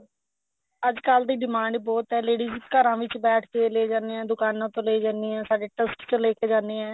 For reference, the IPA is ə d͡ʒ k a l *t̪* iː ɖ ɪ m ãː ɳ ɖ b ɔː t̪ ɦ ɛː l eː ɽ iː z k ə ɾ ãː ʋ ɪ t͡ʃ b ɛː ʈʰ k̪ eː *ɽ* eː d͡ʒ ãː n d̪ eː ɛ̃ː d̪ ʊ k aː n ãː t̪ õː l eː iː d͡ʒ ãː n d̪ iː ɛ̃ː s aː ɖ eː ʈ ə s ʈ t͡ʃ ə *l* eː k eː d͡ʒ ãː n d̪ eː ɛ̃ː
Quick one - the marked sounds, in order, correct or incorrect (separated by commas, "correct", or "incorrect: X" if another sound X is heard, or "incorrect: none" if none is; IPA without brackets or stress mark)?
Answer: incorrect: d̪, incorrect: l, correct